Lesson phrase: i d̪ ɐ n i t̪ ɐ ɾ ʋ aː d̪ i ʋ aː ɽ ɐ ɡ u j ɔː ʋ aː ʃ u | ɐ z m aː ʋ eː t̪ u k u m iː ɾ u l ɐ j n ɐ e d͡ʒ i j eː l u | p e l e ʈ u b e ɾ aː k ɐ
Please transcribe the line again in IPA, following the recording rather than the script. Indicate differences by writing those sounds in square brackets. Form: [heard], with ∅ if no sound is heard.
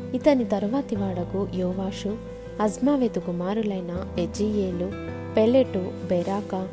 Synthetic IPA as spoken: i [t̪] ɐ n i t̪ ɐ ɾ ʋ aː [t̪] i ʋ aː ɽ ɐ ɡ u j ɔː ʋ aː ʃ u | ɐ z m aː ʋ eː t̪ u k u m [aː] ɾ u l ɐ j n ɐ e d͡ʒ i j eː l u | p e l e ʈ u b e ɾ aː k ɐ